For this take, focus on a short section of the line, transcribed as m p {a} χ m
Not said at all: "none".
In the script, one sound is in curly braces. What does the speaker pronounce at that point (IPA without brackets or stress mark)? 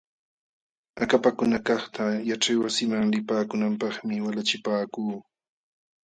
ɑ